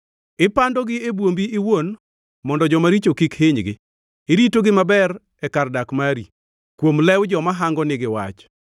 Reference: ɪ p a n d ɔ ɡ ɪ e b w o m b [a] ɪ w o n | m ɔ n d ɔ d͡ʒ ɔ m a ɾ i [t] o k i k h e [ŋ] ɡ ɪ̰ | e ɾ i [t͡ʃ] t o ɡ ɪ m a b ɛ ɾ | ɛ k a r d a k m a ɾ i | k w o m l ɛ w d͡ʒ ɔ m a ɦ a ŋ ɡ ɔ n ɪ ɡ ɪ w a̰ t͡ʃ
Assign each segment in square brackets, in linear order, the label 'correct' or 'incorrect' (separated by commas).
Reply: incorrect, incorrect, incorrect, incorrect